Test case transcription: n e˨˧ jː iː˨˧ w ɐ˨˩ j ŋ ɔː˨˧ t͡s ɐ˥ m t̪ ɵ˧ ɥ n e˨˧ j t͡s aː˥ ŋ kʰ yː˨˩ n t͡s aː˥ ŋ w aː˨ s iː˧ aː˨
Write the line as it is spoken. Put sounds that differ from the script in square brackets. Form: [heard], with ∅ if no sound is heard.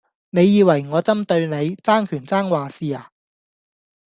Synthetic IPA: n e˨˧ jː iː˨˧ w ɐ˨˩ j ŋ ɔː˨˧ t͡s ɐ˥ m t̪ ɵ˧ ɥ n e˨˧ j t͡s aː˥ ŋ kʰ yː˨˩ n t͡s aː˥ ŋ w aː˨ s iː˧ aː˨